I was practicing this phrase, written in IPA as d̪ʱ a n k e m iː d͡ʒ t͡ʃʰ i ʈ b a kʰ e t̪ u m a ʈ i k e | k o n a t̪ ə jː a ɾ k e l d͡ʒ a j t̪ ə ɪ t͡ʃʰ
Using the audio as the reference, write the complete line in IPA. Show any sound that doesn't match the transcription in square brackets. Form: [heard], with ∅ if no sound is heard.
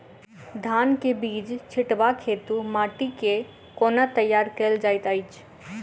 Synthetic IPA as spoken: d̪ʱ a n k e [b] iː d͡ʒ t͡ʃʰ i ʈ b a kʰ e t̪ u m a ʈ i k e | k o n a t̪ ə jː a ɾ k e l d͡ʒ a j t̪ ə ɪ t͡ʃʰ